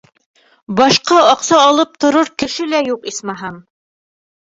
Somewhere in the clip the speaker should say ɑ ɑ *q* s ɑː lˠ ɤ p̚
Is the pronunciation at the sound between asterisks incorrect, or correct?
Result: correct